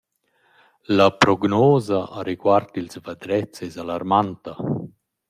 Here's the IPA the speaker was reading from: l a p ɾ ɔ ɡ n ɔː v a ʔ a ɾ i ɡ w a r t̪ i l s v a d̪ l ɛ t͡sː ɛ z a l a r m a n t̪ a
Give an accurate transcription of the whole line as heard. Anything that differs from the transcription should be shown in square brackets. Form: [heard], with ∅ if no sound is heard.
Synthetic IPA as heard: l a p ɾ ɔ ɡ n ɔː [z] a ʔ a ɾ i ɡ w a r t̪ i l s v a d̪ [ɾ] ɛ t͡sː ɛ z a l a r m a n t̪ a